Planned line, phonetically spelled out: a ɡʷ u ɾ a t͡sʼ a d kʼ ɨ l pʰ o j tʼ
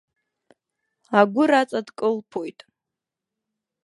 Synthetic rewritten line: a ɡʷ ʊ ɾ a t͡sʼ a d kʼ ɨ l pʰ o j tʼ